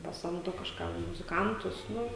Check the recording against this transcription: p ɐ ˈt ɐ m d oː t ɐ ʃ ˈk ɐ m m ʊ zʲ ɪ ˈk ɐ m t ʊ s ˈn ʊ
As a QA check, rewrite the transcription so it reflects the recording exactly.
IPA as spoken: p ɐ ˈs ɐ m d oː k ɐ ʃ ˈk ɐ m m ʊ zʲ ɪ ˈk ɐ n t ʊ s ˈn ʊ